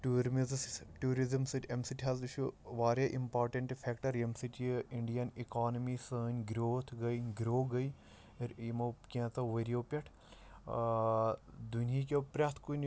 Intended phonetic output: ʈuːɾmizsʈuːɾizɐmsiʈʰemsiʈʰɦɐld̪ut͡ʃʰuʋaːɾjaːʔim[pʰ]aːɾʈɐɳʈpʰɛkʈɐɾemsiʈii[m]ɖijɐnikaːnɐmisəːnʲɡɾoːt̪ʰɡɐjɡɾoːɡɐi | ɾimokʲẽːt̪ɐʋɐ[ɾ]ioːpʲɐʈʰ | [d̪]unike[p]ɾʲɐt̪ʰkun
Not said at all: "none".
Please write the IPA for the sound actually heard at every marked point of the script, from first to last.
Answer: p, ɳ, ɾ, d̪, p

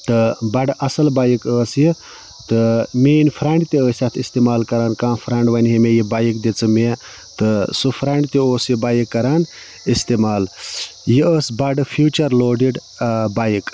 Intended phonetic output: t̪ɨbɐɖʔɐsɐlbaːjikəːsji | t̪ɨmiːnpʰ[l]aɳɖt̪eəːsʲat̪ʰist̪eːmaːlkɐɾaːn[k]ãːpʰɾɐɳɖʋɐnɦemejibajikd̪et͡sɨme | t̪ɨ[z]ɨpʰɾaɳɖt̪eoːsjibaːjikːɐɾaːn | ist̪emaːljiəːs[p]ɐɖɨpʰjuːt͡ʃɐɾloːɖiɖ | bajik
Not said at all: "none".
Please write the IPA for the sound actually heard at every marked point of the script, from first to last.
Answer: ɾ, k, s, b

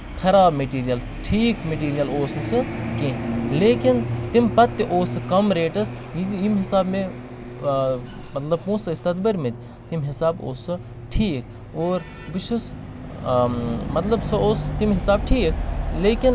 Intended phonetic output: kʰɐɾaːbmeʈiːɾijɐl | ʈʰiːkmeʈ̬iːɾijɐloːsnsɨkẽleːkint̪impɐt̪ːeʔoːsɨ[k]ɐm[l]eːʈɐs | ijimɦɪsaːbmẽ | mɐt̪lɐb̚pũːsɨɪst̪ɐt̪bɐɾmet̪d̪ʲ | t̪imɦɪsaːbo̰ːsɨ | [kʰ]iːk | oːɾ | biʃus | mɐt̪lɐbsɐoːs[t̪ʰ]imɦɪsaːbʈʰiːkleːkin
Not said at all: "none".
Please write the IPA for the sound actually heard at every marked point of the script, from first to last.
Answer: k, ɾ, ʈʰ, t̪

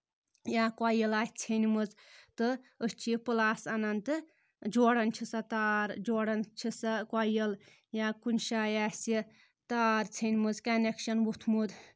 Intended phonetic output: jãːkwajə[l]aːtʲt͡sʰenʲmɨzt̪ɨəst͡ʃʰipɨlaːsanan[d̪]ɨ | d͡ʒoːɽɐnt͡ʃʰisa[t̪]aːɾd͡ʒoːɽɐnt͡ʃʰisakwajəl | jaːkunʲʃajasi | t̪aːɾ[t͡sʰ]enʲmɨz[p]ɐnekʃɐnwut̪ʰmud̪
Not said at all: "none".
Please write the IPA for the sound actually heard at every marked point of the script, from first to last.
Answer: l, t̪, t̪, t͡sʰ, k

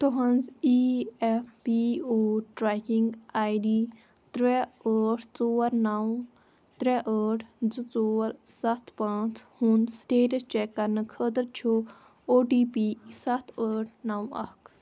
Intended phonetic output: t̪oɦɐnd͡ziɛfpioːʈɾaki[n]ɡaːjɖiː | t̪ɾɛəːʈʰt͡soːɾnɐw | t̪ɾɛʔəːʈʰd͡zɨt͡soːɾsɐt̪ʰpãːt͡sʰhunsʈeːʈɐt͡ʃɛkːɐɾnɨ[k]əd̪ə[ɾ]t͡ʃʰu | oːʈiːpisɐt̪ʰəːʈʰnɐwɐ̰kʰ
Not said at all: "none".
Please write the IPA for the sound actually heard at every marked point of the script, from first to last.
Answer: ŋ, kʰ, ɾ

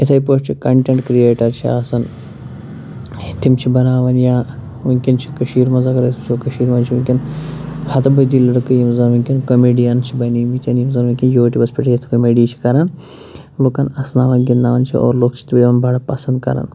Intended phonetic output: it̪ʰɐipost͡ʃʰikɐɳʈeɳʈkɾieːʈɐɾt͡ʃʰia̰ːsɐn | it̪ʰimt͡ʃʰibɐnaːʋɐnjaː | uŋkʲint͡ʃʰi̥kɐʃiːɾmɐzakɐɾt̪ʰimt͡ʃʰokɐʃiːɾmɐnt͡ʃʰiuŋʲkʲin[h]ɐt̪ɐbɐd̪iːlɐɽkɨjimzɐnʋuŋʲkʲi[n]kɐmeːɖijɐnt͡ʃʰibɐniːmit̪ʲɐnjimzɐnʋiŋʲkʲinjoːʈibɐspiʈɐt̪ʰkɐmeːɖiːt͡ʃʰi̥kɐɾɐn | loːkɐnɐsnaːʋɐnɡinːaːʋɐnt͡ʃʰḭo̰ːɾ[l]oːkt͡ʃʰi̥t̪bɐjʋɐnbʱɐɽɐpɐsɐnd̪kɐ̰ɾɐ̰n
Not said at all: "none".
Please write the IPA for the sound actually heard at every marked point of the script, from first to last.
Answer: h, n, l

